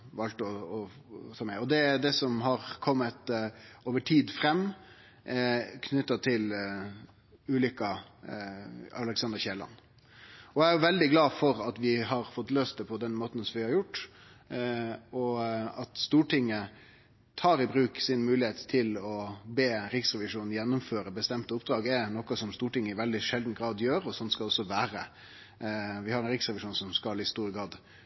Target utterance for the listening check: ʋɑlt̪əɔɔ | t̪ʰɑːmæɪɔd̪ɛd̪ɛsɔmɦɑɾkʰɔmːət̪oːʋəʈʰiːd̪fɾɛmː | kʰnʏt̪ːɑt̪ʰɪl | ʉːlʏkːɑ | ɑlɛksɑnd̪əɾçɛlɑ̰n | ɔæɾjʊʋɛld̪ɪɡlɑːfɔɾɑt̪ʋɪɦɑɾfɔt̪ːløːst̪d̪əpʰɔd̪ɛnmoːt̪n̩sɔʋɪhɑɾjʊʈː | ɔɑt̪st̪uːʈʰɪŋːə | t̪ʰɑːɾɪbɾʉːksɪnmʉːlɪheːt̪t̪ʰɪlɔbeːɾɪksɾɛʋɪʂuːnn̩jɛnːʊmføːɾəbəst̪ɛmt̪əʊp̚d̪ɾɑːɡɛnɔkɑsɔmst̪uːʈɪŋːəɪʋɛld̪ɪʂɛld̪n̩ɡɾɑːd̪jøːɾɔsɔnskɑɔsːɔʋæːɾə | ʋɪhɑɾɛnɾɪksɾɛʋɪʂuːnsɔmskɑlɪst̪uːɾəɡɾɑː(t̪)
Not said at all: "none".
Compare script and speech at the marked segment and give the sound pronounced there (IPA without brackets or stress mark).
d̪